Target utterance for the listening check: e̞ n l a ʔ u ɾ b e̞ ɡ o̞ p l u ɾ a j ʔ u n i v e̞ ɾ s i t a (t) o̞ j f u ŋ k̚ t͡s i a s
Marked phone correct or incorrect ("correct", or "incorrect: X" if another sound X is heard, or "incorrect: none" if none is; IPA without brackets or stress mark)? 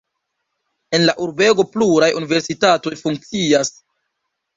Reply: correct